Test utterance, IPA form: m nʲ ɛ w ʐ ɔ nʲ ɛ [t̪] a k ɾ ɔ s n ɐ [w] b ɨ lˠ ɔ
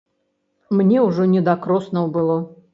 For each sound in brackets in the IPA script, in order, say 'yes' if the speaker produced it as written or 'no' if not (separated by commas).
no, yes